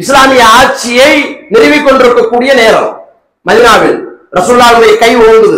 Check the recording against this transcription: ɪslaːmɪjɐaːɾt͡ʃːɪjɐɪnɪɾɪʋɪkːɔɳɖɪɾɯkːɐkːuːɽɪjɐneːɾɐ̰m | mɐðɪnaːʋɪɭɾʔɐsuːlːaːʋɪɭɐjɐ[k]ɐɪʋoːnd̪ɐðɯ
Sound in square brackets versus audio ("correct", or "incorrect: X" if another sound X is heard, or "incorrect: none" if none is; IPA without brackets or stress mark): correct